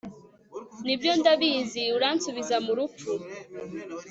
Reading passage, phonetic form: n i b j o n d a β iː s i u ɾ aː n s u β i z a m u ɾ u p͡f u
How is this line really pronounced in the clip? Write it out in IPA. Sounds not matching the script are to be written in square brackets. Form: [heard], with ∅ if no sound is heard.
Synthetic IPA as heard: n i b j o n d a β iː [z] i u ɾ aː n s u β i z a m u ɾ u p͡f u